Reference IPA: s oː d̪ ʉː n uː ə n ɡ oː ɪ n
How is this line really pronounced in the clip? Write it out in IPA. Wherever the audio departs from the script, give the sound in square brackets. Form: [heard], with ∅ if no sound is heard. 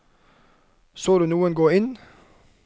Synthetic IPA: s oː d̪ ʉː n uː ə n ɡ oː ɪ n